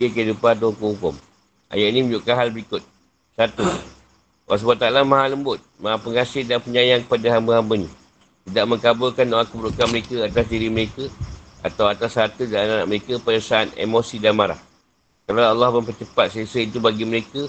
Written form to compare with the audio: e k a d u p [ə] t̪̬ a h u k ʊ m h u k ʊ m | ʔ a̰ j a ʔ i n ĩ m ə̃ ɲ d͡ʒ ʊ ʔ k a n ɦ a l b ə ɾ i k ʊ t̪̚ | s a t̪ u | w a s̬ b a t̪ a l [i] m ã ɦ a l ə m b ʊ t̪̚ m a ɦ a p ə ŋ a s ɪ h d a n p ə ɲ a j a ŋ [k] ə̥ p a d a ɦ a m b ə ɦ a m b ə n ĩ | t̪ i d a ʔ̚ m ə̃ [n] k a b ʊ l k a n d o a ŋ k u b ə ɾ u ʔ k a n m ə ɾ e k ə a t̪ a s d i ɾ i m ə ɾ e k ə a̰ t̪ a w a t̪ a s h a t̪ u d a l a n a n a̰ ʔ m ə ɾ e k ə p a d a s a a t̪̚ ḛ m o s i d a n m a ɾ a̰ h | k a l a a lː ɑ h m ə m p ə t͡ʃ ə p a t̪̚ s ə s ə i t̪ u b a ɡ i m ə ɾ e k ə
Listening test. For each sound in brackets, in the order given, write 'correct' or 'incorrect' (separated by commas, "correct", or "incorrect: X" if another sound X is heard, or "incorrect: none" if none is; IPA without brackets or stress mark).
incorrect: a, incorrect: a, correct, incorrect: ŋ